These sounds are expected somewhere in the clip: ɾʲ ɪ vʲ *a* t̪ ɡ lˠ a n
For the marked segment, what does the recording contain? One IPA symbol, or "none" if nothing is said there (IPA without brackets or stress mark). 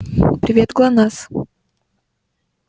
e